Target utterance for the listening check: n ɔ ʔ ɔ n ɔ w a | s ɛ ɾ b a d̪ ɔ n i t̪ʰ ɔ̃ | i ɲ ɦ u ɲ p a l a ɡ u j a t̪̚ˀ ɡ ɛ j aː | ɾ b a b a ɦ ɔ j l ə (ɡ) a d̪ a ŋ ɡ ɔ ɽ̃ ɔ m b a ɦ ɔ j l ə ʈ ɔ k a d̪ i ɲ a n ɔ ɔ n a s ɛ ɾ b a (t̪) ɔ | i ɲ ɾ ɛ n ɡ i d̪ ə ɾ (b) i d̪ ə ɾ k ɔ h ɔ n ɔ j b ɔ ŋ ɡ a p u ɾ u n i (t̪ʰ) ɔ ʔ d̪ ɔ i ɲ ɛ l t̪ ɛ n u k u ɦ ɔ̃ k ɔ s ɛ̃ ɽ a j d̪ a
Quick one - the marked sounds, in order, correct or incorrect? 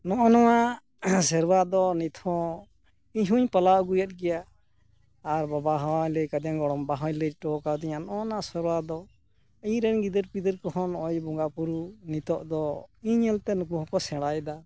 incorrect, incorrect, incorrect, incorrect

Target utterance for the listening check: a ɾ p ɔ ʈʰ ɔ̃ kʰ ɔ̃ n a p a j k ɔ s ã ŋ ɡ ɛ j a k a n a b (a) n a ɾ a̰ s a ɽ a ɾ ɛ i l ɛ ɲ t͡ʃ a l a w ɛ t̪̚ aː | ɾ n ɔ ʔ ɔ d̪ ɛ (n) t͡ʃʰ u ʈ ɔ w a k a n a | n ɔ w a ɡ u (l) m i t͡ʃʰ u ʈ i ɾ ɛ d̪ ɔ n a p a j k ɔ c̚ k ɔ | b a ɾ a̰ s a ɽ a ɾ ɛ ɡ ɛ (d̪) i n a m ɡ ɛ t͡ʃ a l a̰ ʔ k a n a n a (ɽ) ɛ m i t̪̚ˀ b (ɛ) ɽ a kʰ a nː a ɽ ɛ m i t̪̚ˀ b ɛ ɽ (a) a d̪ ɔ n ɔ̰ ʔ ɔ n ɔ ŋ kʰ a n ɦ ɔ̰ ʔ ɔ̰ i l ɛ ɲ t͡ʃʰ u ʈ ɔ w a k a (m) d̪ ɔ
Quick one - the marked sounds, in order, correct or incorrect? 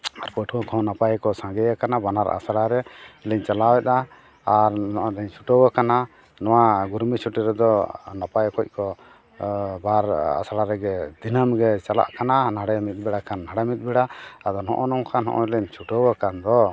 correct, incorrect, incorrect, correct, correct, correct, correct, incorrect

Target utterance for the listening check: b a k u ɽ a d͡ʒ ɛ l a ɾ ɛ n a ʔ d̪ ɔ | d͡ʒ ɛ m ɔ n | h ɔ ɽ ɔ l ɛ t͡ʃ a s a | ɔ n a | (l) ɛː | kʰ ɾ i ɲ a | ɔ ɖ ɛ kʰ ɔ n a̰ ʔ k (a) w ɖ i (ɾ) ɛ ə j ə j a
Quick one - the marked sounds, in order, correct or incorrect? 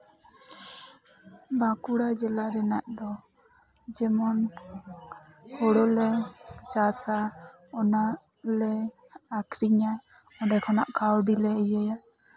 correct, correct, incorrect

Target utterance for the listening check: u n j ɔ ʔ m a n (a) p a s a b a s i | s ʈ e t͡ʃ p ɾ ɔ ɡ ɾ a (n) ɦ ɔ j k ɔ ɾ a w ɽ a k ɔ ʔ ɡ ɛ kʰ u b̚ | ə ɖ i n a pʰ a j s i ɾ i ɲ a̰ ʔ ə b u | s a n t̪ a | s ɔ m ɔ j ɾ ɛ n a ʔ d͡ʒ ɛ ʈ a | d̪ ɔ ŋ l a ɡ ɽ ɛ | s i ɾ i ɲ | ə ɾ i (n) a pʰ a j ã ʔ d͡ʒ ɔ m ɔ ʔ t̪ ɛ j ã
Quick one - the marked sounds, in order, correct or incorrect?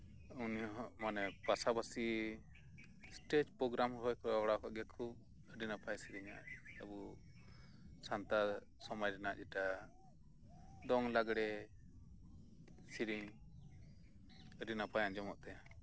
incorrect, incorrect, correct

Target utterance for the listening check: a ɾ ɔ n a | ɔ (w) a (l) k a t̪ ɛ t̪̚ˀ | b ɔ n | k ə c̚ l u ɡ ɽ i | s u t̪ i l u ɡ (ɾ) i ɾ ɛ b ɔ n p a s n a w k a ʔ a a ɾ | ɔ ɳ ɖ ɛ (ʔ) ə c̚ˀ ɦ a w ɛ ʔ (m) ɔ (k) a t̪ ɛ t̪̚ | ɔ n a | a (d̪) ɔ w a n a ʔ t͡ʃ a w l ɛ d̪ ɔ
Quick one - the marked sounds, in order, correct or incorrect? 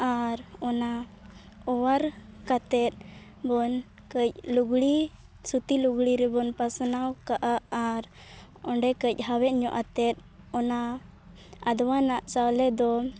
correct, incorrect, incorrect, incorrect, incorrect, incorrect, correct

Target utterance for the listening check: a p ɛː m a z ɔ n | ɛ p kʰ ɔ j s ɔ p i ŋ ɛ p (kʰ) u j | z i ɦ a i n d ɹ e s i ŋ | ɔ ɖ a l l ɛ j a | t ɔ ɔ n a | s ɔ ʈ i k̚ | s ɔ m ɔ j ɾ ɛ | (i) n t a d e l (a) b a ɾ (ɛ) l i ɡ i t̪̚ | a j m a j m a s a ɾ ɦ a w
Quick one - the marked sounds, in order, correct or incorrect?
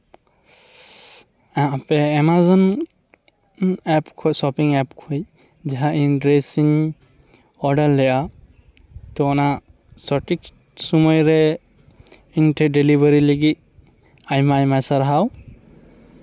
correct, correct, incorrect, incorrect

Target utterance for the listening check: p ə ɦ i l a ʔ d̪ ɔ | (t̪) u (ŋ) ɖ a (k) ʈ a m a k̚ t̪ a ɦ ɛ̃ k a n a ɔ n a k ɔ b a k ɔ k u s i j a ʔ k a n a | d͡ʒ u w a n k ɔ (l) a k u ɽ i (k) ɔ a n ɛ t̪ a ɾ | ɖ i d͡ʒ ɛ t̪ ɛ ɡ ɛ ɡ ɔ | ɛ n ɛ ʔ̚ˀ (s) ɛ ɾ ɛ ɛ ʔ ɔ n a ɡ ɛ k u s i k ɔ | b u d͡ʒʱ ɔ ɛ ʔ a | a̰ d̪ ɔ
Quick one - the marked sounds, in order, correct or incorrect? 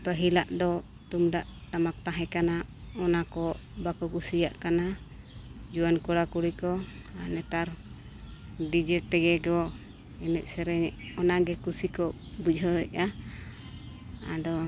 correct, incorrect, incorrect, incorrect, correct, correct

